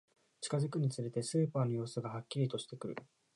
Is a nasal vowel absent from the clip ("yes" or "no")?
yes